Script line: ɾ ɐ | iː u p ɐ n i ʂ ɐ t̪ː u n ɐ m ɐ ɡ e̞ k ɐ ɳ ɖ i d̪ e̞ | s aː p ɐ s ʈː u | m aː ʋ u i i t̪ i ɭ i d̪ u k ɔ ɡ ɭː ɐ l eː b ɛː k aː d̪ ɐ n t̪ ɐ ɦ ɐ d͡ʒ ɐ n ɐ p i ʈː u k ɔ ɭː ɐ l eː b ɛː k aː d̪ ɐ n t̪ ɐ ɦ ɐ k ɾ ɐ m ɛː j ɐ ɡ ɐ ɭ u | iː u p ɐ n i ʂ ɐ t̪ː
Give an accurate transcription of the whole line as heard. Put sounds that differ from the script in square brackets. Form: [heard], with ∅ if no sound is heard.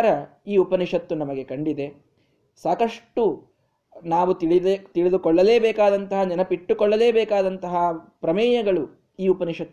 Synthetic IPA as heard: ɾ ɐ | iː u p ɐ n i ʂ ɐ t̪ː u n ɐ m ɐ ɡ e̞ k ɐ ɳ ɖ i d̪ e̞ | s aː [k] ɐ [ʂ] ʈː u | [n] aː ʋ u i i t̪ i ɭ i d̪ u k ɔ [∅] ɭː ɐ l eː b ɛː k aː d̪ ɐ n t̪ ɐ ɦ ɐ d͡ʒ ɐ n ɐ p i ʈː u k ɔ ɭː ɐ l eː b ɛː k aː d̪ ɐ n t̪ ɐ ɦ ɐ [p] ɾ ɐ m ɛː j ɐ ɡ ɐ ɭ u | iː u p ɐ n i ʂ ɐ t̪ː